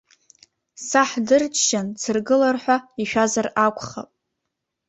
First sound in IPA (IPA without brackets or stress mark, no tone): s